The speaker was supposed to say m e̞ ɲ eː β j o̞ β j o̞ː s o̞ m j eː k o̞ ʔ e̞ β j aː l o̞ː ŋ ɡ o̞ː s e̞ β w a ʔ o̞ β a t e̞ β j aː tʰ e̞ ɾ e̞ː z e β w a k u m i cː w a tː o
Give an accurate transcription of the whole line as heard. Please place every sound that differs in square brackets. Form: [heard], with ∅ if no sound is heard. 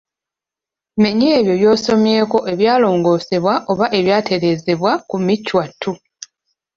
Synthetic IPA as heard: m e̞ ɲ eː β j o̞ β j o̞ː s o̞ m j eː k o̞ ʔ e̞ β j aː l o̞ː ŋ ɡ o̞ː s e̞ β w a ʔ o̞ β a [ʔ] e̞ β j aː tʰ e̞ ɾ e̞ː z e β w a k u m i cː w a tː [u]